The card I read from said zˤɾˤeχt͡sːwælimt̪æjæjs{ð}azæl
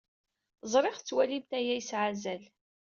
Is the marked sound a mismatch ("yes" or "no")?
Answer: yes